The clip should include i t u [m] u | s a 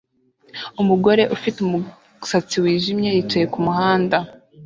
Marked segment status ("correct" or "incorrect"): correct